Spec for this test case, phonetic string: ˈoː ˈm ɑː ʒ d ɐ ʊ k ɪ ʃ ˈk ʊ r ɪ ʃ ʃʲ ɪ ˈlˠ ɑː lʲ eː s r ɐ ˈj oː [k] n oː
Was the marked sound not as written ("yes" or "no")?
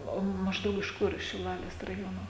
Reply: yes